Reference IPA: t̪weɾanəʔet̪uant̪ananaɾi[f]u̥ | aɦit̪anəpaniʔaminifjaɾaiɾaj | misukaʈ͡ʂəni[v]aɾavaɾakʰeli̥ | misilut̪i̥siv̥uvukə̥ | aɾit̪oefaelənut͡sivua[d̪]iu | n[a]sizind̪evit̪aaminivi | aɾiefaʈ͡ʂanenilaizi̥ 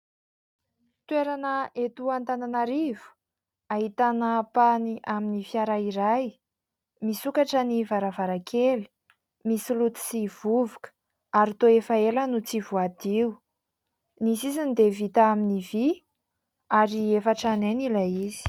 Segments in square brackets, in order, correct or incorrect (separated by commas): incorrect, correct, correct, incorrect